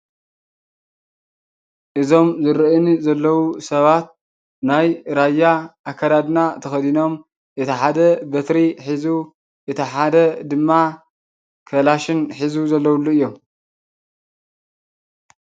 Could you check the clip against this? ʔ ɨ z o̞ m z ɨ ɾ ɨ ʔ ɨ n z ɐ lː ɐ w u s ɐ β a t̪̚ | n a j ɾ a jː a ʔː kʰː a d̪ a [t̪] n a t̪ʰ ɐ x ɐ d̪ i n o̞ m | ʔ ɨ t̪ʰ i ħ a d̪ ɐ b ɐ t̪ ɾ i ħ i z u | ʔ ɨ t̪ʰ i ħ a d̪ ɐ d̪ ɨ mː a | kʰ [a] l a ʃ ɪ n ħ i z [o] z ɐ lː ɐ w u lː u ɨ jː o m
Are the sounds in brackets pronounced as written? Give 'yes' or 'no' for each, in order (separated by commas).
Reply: no, no, no